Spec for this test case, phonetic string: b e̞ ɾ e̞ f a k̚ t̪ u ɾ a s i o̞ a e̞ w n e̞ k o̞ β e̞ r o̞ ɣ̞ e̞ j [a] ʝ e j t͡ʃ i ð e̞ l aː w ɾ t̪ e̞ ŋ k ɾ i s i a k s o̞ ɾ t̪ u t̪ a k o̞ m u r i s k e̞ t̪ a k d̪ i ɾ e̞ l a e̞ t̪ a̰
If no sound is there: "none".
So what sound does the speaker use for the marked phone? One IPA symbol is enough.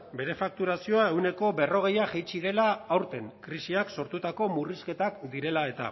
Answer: a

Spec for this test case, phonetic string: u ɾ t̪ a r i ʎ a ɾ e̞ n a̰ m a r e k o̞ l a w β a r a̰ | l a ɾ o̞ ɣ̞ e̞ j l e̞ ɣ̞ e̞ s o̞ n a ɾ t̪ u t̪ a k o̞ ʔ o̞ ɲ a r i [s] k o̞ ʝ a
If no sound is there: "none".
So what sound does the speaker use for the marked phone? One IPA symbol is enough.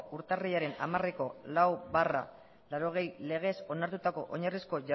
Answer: s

